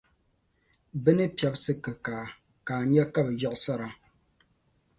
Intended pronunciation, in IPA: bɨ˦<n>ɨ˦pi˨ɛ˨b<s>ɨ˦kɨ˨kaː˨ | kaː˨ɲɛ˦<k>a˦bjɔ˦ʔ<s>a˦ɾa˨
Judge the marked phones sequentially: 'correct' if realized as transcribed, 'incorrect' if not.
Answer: correct, correct, correct, correct

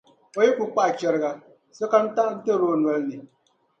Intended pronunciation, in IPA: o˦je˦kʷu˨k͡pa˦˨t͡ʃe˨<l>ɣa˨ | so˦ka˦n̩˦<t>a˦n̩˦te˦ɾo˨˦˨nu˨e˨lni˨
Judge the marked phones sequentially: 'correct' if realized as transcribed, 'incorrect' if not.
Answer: incorrect, correct

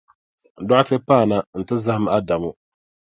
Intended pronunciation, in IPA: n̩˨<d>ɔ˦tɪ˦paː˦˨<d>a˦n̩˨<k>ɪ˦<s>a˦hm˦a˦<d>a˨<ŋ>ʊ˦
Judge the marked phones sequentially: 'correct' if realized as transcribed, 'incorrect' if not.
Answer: correct, incorrect, incorrect, incorrect, correct, incorrect

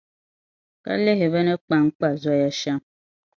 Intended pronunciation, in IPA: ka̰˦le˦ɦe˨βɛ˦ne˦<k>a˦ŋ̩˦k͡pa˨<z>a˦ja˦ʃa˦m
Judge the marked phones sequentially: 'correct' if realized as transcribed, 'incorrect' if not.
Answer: incorrect, correct

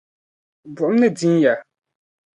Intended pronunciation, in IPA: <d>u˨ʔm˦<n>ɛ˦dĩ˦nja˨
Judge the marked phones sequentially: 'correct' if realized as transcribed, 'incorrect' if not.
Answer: incorrect, correct

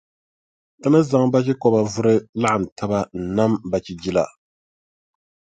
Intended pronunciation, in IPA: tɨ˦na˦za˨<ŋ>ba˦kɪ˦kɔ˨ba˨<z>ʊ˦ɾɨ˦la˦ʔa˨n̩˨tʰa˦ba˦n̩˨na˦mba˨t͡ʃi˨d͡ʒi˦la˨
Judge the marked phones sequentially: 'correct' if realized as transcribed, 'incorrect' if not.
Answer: correct, incorrect

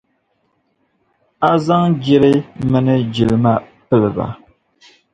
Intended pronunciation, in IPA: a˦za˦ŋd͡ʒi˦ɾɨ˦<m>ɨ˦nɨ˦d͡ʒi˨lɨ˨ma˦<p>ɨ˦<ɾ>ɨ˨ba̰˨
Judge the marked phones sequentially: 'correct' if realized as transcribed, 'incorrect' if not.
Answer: correct, correct, incorrect

